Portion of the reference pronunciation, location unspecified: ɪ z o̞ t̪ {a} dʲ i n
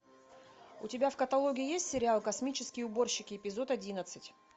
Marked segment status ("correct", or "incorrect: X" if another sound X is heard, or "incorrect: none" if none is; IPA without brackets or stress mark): incorrect: ɐ